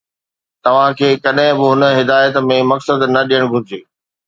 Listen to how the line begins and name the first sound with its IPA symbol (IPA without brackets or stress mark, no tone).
t̪